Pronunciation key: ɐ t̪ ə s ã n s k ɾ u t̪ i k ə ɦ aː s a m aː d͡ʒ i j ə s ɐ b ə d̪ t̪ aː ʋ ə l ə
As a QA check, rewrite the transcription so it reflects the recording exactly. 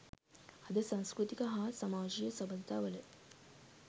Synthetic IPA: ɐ d̪ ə s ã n s k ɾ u t̪ i k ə ɦ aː s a m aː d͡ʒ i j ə s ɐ b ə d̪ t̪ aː ʋ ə l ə